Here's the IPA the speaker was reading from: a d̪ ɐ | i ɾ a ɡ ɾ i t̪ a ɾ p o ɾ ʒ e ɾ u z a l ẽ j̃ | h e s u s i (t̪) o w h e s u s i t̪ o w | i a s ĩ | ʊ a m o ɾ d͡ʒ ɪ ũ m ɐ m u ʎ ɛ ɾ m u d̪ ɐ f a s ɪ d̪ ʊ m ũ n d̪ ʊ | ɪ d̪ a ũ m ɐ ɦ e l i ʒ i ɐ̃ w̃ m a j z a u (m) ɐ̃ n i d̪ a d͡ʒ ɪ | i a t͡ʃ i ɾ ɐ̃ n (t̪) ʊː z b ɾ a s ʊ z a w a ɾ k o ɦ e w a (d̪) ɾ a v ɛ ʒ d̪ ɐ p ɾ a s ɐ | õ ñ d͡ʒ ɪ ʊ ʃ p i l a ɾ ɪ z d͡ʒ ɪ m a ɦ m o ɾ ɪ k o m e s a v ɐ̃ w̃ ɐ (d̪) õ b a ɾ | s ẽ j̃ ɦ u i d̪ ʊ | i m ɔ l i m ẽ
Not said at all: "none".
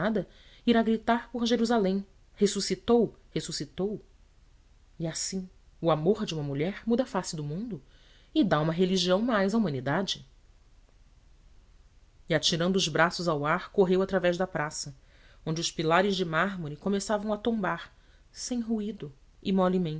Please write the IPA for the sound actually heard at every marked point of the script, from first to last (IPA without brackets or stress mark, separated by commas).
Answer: t̪, m, d̪, t̪, t̪